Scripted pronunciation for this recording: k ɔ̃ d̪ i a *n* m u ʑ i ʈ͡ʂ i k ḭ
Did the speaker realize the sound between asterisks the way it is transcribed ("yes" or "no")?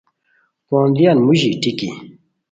yes